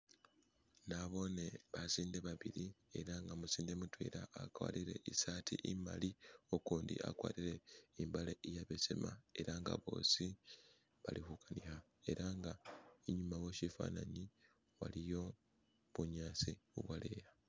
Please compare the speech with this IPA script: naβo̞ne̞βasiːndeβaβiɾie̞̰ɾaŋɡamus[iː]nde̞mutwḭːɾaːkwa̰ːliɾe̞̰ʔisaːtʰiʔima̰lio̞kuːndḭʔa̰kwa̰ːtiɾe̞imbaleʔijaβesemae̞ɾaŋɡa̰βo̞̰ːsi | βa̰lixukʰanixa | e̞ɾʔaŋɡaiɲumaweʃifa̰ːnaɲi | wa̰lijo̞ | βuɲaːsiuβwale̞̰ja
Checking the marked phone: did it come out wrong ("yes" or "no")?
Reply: no